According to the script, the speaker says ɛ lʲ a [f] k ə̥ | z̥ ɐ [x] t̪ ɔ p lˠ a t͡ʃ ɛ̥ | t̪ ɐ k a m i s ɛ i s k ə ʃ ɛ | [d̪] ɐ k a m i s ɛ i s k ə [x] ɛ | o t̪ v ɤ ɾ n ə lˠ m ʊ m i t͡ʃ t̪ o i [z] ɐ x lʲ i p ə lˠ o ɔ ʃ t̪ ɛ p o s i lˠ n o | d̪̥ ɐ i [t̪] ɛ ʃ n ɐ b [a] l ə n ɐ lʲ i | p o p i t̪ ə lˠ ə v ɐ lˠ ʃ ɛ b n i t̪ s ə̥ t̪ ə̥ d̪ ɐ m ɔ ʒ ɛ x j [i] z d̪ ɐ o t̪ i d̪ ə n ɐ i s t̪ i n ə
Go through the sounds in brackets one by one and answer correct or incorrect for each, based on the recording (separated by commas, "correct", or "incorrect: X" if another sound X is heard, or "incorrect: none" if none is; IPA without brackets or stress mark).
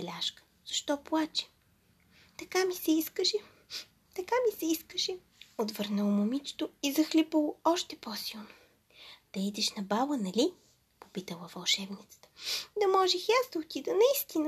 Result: incorrect: ʃ, incorrect: ʃ, incorrect: t̪, incorrect: ʃ, correct, incorrect: d̪, correct, incorrect: a